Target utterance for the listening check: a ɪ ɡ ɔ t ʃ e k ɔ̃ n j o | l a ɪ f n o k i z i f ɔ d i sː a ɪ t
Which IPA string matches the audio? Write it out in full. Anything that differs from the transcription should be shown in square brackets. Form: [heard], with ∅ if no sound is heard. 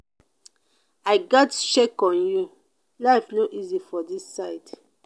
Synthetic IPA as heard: a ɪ ɡ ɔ t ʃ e k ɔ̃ n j [u] | l a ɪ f n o [ʔ] i z i f ɔ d i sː a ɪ t